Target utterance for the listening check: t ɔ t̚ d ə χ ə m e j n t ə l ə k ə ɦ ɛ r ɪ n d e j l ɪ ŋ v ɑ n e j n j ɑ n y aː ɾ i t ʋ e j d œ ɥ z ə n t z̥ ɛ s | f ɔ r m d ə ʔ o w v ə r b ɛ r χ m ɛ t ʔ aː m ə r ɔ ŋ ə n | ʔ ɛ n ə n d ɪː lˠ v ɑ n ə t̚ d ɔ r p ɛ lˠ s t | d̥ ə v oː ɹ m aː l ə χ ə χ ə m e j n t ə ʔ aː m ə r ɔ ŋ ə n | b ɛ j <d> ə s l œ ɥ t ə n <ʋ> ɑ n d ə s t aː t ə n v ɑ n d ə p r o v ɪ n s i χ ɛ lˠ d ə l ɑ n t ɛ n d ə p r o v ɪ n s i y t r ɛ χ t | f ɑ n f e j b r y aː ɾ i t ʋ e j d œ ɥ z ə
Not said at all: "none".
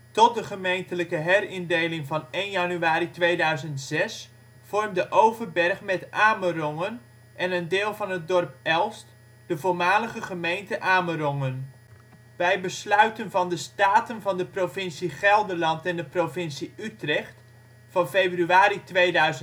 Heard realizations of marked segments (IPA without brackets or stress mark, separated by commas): b, v